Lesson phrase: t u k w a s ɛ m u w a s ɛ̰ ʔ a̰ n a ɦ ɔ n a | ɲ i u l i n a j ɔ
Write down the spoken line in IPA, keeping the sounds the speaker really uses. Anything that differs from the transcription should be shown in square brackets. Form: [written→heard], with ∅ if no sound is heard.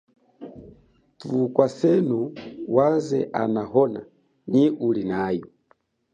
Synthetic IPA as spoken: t u k w a s ɛ [m→n] u w a [s→z] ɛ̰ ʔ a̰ n a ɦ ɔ n a | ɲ i u l i n a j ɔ